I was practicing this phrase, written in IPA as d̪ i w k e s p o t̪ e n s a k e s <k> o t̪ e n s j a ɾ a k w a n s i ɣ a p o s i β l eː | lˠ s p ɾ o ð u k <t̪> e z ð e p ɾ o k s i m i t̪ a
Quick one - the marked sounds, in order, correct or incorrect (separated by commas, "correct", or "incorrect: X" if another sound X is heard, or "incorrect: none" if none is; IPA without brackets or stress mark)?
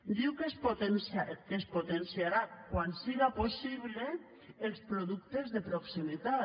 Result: incorrect: p, correct